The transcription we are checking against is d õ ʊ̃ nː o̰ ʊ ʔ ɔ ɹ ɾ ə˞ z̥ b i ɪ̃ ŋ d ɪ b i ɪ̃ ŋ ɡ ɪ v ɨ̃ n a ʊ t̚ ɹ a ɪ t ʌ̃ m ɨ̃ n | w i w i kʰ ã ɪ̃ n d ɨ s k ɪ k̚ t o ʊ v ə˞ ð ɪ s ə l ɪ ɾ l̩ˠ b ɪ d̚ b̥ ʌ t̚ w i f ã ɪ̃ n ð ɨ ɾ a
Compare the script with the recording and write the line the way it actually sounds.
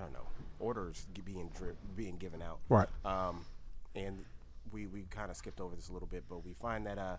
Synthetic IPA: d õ ʊ̃ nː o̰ ʊ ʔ ɔ ɹ ɾ ə˞ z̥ b i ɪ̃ ŋ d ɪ b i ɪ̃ ŋ ɡ ɪ v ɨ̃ n a ʊ t̚ ɹ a ɪ t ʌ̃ m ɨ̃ n | w i w i kʰ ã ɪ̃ n d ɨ s k ɪ p̚ t o ʊ v ə˞ ð ɪ s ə l ɪ ɾ l̩ˠ b ɪ t̚ b̥ ʌ t̚ w i f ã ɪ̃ n ð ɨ ɾ ʌ